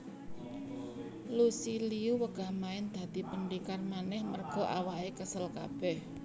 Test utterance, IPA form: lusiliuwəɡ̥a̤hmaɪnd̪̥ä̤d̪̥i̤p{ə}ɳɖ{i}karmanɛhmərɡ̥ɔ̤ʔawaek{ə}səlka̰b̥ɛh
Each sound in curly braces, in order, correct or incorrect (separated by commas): correct, correct, correct